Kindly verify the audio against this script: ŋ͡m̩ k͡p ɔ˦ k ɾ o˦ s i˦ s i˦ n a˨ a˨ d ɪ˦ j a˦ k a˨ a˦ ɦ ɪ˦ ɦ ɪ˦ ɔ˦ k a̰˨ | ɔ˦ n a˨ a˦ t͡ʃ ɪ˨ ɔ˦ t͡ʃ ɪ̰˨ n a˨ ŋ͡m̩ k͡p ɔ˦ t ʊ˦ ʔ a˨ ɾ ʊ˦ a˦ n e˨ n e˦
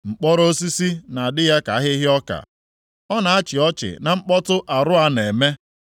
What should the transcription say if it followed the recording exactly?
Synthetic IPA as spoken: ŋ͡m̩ k͡p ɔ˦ ɾ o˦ s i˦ s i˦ n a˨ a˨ d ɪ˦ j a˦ k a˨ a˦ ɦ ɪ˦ ɦ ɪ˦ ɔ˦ k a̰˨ | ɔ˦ n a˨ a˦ t͡ʃ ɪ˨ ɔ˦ t͡ʃ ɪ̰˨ n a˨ ŋ͡m̩ k͡p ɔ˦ t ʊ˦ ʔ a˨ ɾ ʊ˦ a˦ n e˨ m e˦